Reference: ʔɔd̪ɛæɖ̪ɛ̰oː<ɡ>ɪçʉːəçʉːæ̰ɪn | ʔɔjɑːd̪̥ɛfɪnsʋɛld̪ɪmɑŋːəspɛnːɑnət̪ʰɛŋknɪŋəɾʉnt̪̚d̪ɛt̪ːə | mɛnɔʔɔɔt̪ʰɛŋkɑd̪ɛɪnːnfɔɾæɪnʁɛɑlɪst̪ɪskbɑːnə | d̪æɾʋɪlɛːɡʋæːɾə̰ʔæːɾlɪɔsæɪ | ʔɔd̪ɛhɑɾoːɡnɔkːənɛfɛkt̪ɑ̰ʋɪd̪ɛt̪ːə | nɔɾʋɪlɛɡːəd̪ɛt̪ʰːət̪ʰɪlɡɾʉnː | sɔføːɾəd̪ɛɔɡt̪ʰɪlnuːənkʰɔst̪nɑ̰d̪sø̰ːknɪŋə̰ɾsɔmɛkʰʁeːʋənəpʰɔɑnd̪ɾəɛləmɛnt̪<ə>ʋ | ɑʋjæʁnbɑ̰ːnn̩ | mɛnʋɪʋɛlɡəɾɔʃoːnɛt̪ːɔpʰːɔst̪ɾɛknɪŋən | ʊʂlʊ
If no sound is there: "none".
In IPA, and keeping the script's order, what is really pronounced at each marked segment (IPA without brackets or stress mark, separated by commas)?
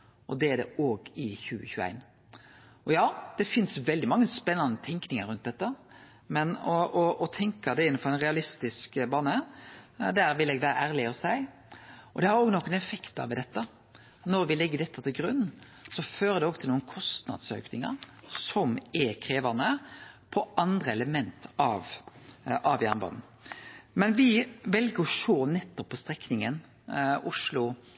ɡ, ɑ